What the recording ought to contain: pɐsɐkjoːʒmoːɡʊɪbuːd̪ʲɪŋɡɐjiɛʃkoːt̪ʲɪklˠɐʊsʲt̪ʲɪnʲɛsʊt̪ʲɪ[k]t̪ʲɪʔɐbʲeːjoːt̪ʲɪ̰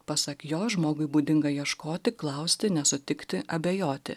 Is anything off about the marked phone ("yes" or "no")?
no